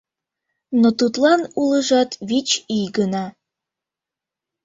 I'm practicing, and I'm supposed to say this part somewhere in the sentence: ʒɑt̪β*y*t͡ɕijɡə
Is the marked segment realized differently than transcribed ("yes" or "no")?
yes